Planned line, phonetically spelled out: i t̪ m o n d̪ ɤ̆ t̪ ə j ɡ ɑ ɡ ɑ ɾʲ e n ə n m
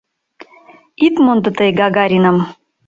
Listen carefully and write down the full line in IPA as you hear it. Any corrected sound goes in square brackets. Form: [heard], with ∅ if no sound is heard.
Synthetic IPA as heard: i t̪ m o n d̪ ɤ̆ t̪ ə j ɡ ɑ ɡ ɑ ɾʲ [i] n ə [∅] m